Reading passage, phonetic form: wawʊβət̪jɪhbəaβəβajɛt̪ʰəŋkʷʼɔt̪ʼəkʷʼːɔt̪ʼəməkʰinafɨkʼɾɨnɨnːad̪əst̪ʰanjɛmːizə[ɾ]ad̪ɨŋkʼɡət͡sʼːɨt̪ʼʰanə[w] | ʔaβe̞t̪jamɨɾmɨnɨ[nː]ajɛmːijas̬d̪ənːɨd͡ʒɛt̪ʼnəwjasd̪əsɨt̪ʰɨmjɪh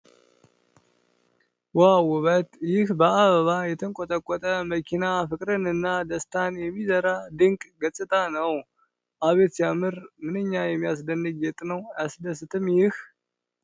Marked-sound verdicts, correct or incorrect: correct, correct, incorrect: ɲː

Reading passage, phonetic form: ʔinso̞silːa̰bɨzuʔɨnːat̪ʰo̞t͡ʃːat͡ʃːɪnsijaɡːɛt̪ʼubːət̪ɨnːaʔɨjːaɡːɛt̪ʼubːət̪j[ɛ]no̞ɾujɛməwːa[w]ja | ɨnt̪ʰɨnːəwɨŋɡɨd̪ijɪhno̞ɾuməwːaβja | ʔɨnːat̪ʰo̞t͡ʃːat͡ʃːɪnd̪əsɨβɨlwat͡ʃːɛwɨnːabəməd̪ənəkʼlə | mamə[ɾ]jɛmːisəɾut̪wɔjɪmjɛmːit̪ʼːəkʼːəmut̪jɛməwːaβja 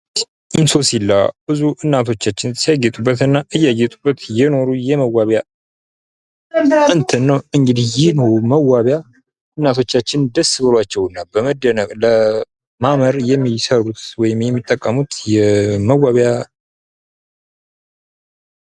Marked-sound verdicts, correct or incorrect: correct, incorrect: β, correct

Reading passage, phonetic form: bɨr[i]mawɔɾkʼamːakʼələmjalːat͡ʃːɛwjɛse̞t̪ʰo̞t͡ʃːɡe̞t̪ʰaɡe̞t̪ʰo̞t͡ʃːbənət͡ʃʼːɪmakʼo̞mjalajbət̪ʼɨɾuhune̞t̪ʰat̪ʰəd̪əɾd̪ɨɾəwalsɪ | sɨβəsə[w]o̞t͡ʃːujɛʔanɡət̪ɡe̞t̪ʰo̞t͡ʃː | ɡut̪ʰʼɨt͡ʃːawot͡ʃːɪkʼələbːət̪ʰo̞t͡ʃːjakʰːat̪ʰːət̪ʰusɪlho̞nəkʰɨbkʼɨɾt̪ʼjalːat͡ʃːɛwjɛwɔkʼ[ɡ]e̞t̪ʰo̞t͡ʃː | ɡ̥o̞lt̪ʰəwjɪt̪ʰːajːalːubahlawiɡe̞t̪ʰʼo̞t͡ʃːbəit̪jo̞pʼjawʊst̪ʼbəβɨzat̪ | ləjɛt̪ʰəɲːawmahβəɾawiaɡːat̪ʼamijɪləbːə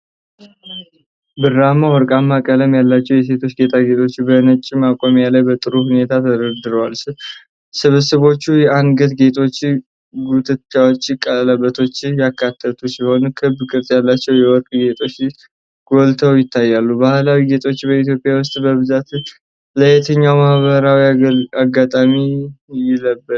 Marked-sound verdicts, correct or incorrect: incorrect: a, incorrect: β, correct

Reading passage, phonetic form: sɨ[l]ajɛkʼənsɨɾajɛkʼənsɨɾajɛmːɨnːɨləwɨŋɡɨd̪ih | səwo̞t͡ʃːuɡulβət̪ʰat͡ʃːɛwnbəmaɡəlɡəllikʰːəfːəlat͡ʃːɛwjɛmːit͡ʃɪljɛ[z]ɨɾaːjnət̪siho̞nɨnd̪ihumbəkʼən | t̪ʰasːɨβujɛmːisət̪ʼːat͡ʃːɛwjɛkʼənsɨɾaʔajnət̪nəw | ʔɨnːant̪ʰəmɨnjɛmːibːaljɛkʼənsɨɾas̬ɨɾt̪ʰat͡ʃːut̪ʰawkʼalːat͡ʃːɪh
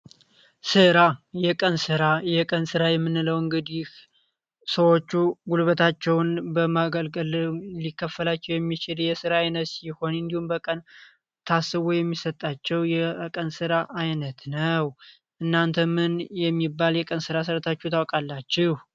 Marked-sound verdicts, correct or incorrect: incorrect: ɾ, incorrect: s

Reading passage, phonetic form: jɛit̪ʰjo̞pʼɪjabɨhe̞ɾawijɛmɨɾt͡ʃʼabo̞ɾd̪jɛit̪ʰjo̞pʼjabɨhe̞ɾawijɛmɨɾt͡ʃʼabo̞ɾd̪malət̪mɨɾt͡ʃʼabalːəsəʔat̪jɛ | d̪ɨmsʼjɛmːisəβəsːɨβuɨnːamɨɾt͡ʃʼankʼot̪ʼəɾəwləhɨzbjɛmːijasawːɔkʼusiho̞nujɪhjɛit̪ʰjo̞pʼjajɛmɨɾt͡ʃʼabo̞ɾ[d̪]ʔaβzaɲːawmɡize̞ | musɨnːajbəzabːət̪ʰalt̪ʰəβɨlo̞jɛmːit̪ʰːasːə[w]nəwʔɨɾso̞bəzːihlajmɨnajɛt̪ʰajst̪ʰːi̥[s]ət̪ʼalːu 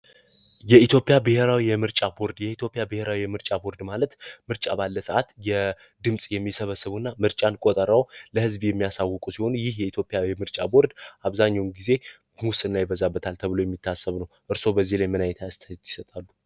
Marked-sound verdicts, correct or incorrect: correct, incorrect: β, correct

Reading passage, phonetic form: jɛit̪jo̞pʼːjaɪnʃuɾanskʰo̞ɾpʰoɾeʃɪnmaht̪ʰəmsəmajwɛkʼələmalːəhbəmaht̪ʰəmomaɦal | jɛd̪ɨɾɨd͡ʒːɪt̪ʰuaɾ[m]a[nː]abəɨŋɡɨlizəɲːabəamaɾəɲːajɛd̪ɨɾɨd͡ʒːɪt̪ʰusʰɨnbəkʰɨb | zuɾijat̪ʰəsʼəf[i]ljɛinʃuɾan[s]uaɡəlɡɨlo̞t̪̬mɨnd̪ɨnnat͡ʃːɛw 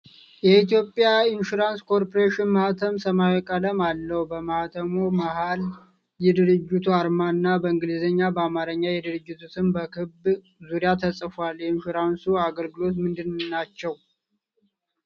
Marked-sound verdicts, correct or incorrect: correct, correct, incorrect: a, correct

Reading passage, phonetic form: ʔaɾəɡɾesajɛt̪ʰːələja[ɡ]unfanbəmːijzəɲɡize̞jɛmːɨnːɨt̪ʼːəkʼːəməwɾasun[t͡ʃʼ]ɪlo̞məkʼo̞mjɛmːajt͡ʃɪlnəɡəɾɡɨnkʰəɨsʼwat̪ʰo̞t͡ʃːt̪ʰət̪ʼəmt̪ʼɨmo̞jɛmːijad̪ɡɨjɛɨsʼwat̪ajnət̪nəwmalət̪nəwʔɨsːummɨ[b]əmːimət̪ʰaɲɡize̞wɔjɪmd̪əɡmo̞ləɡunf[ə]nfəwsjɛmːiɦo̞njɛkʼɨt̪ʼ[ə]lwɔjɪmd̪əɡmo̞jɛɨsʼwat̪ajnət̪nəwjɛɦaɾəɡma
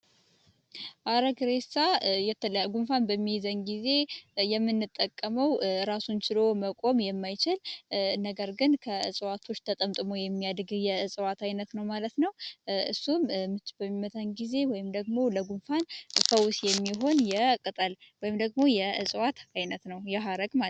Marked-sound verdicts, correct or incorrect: correct, incorrect: t͡ʃ, correct, incorrect: a, correct

